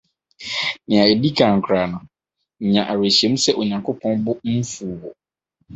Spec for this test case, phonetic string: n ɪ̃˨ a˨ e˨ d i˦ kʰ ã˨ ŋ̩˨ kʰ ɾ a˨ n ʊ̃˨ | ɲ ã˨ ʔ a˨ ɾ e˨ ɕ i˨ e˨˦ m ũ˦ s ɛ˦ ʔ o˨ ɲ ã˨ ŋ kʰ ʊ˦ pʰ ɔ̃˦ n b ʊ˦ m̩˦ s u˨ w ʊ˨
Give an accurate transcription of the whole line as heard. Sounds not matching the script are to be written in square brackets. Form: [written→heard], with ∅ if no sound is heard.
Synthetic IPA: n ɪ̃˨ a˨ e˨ d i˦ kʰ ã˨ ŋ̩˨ kʰ ɾ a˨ n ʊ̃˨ | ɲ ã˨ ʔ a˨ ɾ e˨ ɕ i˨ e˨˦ m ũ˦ s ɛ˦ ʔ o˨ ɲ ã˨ ŋ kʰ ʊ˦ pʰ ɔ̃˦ n b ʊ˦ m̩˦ [s→f] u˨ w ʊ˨